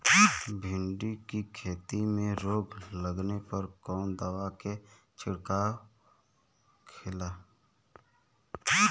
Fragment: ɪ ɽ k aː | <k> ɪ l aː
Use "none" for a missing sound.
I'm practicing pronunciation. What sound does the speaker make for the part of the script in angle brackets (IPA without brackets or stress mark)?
kʰ